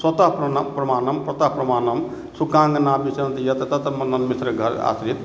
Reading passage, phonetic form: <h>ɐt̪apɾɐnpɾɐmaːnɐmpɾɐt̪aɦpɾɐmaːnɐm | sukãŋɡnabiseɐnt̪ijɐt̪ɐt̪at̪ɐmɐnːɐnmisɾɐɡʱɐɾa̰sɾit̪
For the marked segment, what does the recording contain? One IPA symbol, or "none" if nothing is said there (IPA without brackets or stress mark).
s